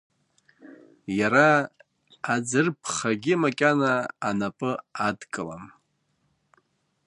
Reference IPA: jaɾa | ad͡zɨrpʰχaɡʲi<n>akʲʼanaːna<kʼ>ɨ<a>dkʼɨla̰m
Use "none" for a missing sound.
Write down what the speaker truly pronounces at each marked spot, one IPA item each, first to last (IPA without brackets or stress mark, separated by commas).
m, pʼ, a